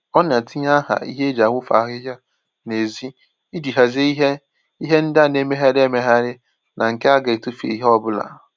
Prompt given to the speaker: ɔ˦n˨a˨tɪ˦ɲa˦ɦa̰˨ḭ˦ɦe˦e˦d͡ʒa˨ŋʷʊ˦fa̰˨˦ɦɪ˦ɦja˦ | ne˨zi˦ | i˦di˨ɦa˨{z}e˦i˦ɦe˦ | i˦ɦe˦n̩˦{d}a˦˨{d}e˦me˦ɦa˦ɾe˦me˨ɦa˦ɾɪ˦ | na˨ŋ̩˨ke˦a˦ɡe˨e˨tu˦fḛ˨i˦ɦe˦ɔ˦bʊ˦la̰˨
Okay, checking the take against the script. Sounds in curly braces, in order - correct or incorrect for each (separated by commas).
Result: correct, correct, incorrect